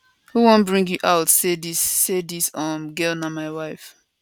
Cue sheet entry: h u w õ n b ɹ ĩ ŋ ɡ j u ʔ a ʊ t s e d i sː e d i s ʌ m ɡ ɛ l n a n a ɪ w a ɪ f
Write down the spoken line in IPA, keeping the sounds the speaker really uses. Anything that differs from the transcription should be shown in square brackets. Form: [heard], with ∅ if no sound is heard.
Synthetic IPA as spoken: h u w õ n b ɹ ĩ ŋ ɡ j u ʔ a ʊ t s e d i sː e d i s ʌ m ɡ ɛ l n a [m] a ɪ w a ɪ f